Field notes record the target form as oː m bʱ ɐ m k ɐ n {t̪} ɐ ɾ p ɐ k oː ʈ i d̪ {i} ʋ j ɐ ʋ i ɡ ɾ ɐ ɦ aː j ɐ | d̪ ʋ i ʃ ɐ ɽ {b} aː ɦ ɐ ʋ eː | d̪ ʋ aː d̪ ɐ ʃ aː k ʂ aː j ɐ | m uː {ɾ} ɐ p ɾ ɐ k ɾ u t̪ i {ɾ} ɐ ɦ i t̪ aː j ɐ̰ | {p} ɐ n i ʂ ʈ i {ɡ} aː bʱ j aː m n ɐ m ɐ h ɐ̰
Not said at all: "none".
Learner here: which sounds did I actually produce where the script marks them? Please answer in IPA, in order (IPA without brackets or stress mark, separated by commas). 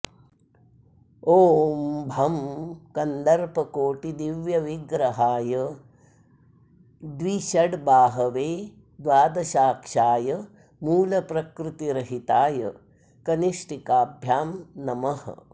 d̪, i, b, l, ɾ, k, k